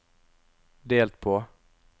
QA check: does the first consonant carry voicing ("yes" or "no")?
yes